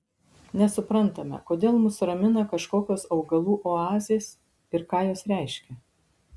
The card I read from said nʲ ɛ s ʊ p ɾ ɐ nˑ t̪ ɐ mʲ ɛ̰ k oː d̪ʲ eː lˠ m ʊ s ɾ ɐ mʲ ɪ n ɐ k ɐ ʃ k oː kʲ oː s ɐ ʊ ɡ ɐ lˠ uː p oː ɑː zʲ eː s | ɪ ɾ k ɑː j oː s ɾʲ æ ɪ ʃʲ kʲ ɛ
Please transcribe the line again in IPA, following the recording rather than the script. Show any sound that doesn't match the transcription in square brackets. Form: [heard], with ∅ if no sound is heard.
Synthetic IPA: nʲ ɛ s ʊ p ɾ ɐ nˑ t̪ ɐ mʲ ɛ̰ k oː d̪ʲ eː lˠ m ʊ s ɾ ɐ mʲ ɪ n ɐ k ɐ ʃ k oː kʲ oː s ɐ ʊ ɡ ɐ lˠ uː [ʔ] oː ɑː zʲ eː s | ɪ ɾ k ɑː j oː s ɾʲ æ ɪ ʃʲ kʲ ɛ